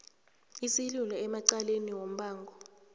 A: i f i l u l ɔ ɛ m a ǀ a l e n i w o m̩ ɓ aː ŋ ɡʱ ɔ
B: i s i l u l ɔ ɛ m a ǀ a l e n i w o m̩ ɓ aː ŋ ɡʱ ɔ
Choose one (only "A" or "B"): B